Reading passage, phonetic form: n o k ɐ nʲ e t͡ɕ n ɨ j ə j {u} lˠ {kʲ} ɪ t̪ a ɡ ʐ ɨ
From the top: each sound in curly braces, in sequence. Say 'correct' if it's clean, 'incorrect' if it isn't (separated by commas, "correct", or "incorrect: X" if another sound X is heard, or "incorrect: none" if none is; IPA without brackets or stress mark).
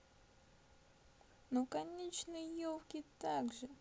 incorrect: o, correct